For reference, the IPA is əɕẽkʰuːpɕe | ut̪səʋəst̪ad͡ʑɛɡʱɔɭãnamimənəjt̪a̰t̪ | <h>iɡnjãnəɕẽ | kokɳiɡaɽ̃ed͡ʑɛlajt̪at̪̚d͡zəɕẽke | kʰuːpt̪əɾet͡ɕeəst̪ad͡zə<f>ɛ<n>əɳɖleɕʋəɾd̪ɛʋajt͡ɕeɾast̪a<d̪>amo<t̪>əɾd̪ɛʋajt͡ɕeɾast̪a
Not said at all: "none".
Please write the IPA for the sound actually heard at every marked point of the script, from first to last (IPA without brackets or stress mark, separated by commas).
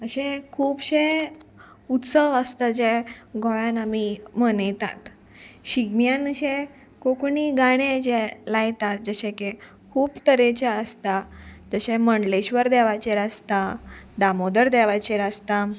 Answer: ɕ, ɕ, m, d̪, d̪